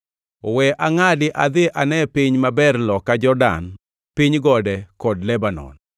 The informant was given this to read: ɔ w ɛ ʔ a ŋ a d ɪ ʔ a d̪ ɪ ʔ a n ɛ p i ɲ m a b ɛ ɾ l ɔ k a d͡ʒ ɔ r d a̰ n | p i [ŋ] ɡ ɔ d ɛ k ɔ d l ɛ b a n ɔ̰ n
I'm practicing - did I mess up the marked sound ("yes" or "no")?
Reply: yes